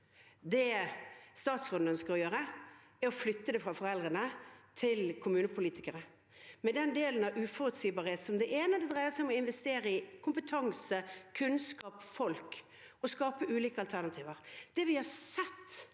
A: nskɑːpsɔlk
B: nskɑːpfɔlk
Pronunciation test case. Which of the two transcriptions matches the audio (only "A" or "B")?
B